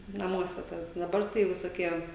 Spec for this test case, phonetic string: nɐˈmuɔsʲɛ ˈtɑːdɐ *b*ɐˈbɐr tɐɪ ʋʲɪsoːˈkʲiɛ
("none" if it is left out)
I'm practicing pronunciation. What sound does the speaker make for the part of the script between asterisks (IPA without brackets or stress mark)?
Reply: d